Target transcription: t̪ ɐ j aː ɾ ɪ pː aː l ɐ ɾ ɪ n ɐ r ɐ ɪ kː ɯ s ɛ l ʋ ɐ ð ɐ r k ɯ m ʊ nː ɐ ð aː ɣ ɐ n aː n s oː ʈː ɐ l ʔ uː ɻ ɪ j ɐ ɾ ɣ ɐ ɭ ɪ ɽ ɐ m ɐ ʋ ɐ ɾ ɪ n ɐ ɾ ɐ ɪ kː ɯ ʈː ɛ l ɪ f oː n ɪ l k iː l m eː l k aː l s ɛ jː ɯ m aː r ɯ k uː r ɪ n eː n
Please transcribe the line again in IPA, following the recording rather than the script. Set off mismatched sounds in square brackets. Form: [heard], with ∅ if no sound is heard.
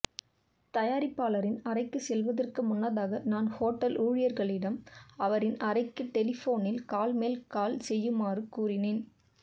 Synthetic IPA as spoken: t̪ ɐ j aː ɾ ɪ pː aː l ɐ ɾ ɪ n ɐ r ɐ ɪ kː ɯ s ɛ l ʋ ɐ ð ɐ r k ɯ m ʊ nː ɐ ð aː ɣ ɐ n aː n [h] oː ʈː ɐ l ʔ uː ɻ ɪ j ɐ ɾ ɣ ɐ ɭ ɪ ɽ ɐ m ɐ ʋ ɐ ɾ ɪ n ɐ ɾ ɐ ɪ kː ɯ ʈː ɛ l ɪ f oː n ɪ l k [aː] l m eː l k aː l s ɛ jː ɯ m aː r ɯ k uː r ɪ n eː n